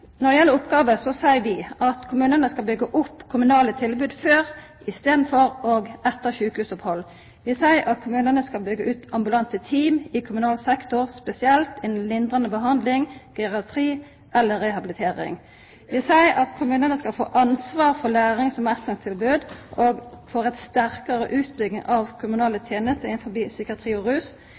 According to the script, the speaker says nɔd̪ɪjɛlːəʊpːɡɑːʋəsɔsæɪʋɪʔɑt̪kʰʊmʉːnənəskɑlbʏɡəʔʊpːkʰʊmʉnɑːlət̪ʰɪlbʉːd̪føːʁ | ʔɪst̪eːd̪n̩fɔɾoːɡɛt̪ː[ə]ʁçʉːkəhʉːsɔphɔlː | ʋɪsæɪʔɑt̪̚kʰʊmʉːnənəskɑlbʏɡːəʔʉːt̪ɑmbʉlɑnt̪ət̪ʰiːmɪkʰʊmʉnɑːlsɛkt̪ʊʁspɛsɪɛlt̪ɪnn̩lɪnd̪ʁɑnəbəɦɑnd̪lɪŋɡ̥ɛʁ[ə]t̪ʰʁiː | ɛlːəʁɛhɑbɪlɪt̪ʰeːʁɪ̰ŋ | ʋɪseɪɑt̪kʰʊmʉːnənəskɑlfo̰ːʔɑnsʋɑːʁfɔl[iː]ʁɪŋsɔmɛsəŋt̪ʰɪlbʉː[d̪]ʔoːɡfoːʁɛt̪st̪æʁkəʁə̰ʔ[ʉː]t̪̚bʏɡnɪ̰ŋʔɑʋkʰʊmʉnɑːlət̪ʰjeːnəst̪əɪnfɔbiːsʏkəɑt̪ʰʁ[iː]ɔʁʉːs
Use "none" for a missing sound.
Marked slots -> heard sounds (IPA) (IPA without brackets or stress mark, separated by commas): ə, ɑ, æː, d̪, ʉː, iː